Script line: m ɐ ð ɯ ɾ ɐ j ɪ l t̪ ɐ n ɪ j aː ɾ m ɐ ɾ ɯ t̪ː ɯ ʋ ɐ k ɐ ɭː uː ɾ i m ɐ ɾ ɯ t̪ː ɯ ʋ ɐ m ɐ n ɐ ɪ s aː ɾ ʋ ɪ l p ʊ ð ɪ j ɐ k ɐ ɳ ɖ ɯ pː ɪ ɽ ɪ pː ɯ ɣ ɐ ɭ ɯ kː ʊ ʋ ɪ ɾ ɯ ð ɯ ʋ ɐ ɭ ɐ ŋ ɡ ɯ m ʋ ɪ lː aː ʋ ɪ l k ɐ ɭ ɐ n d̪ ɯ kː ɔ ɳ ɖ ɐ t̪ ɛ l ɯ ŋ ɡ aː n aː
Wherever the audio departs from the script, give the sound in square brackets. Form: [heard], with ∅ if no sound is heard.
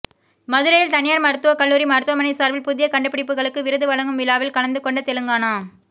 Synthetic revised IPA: m ɐ ð ɯ ɾ ɐ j ɪ l t̪ ɐ n ɪ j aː ɾ m ɐ ɾ ɯ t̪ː ɯ ʋ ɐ k ɐ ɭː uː ɾ i m ɐ ɾ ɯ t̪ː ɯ ʋ ɐ m ɐ n ɐ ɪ s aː ɾ ʋ ɪ l p ʊ ð ɪ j ɐ k ɐ ɳ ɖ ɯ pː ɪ ɽ ɪ pː ɯ ɣ ɐ ɭ ɯ kː [ɯ] ʋ ɪ ɾ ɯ ð ɯ ʋ ɐ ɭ ɐ ŋ ɡ ɯ m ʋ ɪ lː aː ʋ ɪ l k ɐ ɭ ɐ n d̪ ɯ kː ɔ ɳ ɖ ɐ t̪ ɛ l ɯ ŋ ɡ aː n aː